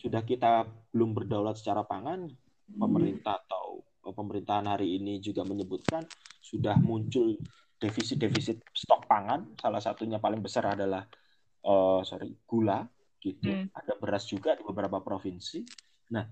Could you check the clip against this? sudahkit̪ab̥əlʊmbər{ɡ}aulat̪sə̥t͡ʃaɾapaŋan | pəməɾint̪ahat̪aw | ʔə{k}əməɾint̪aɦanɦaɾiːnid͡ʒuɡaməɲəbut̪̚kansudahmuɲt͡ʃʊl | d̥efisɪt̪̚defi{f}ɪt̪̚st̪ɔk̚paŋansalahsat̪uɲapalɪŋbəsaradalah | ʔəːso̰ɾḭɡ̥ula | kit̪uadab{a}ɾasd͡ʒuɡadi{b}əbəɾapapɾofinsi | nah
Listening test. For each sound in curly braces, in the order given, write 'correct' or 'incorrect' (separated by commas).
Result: incorrect, incorrect, incorrect, incorrect, correct